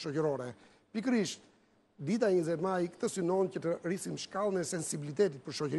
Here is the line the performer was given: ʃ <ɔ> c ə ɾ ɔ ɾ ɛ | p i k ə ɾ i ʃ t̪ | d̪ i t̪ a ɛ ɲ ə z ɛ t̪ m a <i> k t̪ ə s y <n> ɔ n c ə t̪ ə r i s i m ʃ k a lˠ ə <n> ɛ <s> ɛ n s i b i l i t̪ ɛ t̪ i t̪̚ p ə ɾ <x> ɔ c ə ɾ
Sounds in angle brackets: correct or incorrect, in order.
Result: correct, incorrect: j, correct, correct, correct, incorrect: ʃ

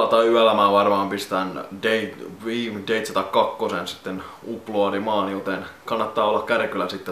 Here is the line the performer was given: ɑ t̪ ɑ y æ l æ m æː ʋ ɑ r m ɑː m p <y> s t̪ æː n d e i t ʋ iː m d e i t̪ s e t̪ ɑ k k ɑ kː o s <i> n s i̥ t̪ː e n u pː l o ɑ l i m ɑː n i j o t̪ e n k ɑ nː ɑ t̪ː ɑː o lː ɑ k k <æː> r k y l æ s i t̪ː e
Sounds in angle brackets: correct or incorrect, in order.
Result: incorrect: i, incorrect: e, incorrect: æ

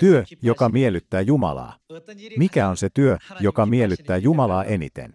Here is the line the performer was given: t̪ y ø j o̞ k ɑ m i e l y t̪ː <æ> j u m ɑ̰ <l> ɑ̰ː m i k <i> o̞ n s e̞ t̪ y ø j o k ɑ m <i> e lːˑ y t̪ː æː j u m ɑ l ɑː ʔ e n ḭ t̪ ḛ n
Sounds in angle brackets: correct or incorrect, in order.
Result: incorrect: æː, correct, incorrect: æ, correct

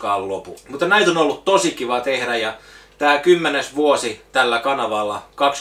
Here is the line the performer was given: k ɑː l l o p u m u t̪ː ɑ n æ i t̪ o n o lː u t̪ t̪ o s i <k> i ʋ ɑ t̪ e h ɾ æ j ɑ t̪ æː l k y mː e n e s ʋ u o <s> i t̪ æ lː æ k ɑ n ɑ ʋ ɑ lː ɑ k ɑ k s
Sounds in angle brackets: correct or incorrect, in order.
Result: correct, correct

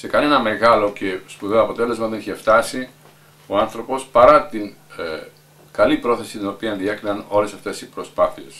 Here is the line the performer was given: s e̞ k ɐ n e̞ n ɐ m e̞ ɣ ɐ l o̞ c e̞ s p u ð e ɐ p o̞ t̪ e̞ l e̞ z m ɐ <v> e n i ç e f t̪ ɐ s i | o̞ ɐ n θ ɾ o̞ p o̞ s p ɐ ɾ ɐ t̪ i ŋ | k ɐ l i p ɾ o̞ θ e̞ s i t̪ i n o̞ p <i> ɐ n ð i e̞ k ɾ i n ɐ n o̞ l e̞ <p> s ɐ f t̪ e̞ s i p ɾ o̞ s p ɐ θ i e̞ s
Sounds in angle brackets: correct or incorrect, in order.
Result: incorrect: ð, correct, incorrect: none

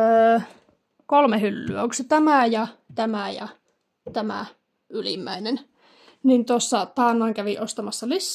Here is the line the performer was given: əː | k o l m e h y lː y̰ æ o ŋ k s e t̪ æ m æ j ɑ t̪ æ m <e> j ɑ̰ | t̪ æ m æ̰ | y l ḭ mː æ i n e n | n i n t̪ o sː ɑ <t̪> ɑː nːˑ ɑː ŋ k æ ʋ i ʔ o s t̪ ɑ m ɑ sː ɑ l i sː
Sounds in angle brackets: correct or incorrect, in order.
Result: incorrect: æ, correct

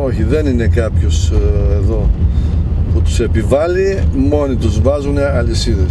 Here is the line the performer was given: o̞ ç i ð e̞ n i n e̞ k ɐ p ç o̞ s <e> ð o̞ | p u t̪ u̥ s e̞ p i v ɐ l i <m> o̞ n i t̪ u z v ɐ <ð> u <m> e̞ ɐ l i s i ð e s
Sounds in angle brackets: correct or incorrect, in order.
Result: correct, correct, incorrect: z, incorrect: n

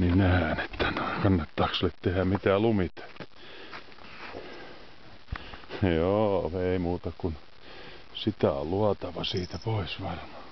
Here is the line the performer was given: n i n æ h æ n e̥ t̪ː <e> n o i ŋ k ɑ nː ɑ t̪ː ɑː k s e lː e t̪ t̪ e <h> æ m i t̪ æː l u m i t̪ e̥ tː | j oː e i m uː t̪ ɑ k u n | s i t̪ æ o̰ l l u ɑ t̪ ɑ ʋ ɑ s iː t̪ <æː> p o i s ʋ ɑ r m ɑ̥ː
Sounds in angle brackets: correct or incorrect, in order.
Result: incorrect: æ, correct, incorrect: æ

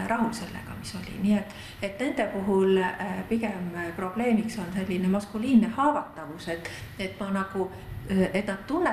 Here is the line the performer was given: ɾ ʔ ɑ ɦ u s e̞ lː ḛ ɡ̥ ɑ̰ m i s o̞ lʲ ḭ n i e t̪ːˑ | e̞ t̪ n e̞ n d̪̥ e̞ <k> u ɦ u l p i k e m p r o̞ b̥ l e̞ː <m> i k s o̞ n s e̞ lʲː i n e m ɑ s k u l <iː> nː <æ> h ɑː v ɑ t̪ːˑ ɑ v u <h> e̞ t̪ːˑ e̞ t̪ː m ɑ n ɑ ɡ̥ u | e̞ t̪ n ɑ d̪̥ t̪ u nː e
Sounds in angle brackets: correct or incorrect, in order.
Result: incorrect: p, correct, correct, incorrect: e, incorrect: s

